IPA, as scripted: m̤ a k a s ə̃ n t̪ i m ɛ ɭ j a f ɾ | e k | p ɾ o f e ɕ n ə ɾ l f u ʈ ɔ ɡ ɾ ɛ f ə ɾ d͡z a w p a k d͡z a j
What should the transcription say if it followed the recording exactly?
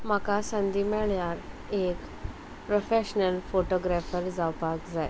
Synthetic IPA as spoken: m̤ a k a s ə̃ n d̪ i m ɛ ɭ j a ɾ | e k | p ɾ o f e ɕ n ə l f o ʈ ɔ ɡ ɾ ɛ f ə ɾ d͡z a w p a k d͡z a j